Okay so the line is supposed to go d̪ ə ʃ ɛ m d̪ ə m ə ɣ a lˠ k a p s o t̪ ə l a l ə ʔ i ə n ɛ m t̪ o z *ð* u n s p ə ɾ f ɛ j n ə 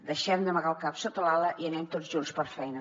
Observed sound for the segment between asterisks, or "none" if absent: ʒ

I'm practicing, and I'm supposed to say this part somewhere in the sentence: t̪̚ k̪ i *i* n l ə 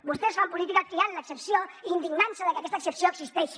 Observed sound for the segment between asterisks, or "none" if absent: a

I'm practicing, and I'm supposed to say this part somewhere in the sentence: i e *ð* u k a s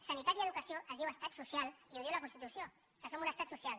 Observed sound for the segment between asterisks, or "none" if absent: ð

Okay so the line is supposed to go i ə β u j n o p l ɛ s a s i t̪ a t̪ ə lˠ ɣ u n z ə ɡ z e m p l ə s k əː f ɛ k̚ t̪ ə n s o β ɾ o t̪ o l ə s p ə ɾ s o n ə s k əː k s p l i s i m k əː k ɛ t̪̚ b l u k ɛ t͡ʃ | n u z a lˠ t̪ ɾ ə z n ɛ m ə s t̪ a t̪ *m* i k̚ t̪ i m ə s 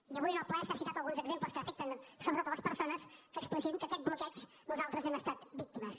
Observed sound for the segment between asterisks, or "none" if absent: b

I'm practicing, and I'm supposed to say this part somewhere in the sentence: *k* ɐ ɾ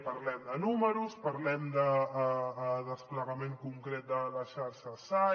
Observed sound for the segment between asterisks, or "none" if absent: p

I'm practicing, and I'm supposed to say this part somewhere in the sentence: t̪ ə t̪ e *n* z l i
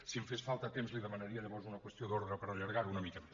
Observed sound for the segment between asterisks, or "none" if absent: m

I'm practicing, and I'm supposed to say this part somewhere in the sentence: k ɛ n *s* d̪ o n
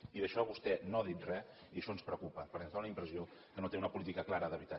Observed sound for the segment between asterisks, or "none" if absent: z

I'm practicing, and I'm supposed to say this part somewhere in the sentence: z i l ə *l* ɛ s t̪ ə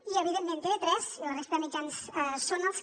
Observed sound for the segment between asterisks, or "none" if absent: r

